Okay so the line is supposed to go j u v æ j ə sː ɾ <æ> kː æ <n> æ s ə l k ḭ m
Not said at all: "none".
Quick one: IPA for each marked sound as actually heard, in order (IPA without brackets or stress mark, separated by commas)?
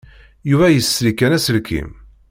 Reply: i, n